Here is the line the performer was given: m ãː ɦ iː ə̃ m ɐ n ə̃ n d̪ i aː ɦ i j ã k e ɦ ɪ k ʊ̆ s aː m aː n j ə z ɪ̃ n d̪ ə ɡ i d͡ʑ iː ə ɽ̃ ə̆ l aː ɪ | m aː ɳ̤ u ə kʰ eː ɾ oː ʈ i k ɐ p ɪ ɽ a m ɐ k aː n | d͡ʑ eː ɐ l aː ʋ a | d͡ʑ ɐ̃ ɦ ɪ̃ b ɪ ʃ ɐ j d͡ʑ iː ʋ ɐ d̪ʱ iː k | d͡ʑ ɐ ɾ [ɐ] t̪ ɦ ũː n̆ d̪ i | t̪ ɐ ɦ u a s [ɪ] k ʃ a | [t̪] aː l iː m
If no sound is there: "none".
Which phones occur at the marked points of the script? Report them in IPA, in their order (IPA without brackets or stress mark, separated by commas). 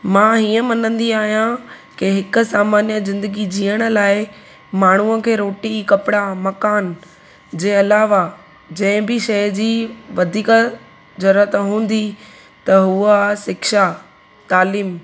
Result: ə, ɪ, t̪